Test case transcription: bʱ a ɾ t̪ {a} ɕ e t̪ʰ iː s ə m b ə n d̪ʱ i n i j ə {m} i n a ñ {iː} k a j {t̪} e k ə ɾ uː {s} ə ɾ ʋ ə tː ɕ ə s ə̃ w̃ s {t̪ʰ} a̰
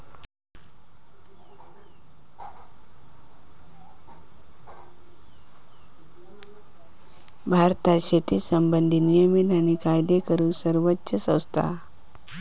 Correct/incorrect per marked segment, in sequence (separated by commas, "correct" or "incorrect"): correct, correct, incorrect, incorrect, correct, correct